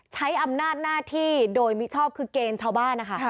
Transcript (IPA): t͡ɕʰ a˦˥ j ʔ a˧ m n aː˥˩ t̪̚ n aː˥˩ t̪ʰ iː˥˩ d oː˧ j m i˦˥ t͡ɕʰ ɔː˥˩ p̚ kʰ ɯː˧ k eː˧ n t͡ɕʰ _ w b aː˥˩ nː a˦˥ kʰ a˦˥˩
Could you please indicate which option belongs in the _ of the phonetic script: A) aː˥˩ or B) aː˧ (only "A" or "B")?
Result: A